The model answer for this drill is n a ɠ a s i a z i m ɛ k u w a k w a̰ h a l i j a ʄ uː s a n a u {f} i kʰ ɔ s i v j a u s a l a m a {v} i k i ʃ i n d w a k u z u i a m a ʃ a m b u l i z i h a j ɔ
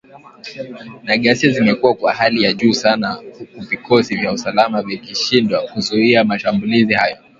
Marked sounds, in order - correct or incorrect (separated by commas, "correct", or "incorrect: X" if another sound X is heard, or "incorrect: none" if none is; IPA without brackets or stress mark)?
incorrect: v, correct